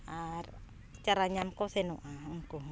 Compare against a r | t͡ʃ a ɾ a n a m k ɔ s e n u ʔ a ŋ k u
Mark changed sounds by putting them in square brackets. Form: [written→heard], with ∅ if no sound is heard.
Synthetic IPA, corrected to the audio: a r | t͡ʃ a ɾ a [n→ɲ] a m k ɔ s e n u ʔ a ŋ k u